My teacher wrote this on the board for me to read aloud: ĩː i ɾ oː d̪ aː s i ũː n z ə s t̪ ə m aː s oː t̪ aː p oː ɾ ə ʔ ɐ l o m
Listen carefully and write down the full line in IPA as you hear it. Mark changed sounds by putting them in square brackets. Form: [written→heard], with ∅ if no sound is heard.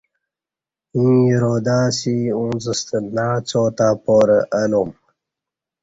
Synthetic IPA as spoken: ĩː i ɾ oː d̪ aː s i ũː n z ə s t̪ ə [m→n] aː [s→t͡s] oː t̪ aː p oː ɾ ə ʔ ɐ l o m

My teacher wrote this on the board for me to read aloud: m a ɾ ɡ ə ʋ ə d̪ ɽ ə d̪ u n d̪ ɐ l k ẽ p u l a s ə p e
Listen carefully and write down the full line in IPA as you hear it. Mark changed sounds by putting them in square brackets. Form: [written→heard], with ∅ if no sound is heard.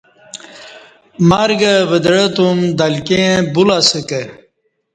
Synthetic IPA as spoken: m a ɾ ɡ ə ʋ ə d̪ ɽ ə [d̪→t̪] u [n→m] d̪ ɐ l k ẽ [p→b] u l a s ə [p→k] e

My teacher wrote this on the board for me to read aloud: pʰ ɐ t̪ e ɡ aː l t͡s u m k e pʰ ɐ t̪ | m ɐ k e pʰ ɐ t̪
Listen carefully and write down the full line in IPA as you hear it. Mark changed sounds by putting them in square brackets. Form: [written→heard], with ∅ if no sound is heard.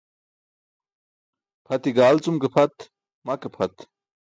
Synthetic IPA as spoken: pʰ ɐ t̪ [e→i] ɡ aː l t͡s u m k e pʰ ɐ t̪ | m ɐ k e pʰ ɐ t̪

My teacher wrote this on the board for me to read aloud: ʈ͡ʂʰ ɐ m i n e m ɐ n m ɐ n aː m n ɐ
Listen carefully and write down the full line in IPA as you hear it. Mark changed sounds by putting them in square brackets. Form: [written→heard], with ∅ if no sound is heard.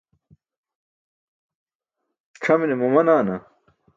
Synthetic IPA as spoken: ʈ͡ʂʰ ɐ m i n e m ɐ [n→∅] m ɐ n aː [m→∅] n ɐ

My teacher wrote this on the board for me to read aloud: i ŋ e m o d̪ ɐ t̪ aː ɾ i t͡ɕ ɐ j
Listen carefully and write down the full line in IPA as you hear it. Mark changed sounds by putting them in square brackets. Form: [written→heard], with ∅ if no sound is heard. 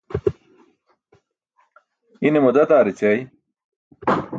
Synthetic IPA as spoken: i [ŋ→n] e m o d̪ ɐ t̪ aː ɾ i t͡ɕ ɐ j

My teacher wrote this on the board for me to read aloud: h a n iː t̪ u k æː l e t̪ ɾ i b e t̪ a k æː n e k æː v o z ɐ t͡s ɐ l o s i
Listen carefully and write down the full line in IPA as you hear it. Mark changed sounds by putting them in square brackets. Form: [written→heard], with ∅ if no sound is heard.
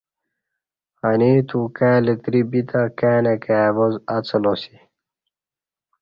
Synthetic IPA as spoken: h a n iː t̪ u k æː l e t̪ ɾ i b [e→i] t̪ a k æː n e k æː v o z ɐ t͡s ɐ l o s i

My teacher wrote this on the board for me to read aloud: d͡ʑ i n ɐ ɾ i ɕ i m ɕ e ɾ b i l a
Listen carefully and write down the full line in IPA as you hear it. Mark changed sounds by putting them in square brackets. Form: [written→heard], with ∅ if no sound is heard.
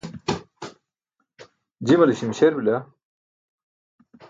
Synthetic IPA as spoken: d͡ʑ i [n→m] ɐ [ɾ→l] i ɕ i m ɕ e ɾ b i l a

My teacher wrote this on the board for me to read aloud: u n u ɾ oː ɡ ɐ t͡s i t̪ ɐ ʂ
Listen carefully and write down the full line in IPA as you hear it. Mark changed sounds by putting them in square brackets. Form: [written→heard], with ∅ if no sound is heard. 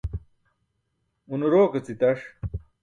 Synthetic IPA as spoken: u n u ɾ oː [ɡ→k] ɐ t͡s i t̪ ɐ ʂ

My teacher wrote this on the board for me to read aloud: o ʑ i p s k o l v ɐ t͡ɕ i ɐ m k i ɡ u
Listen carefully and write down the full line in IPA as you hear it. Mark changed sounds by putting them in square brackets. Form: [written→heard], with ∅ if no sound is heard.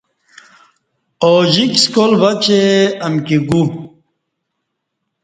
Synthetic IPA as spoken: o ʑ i [p→k] s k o l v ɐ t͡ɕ [i→e] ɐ m k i ɡ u

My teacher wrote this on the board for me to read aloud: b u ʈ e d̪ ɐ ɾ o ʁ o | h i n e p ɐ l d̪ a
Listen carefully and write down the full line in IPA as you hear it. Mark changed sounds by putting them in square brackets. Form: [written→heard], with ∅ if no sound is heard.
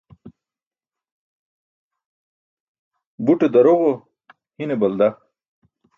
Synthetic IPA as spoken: b u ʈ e d̪ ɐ ɾ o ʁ o | h i n e [p→b] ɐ l d̪ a

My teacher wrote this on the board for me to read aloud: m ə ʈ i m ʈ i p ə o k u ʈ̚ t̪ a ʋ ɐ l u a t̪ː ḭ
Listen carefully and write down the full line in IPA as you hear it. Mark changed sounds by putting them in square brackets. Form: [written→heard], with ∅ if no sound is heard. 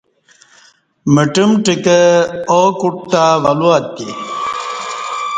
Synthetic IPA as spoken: m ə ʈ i m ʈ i [p→k] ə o k u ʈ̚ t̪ a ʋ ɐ l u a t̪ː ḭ

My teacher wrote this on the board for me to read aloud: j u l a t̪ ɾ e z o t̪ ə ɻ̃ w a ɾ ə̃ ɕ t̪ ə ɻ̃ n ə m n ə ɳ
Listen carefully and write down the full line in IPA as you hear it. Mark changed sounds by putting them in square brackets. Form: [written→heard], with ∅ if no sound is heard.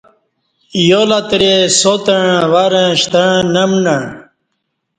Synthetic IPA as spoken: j [u→o] l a t̪ ɾ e [z→s] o t̪ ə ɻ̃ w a ɾ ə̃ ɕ t̪ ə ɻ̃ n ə m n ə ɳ

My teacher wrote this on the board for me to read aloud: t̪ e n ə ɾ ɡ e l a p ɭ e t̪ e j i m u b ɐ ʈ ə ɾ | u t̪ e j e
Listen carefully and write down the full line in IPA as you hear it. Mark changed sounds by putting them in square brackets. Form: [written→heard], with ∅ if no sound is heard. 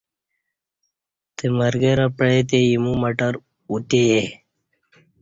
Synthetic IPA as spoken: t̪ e [n→m] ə ɾ ɡ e [l→ɾ] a p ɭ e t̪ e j i m u [b→m] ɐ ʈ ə ɾ | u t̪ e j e

